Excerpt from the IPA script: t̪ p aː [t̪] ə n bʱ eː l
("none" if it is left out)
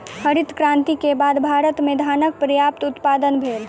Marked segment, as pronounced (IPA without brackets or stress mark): d̪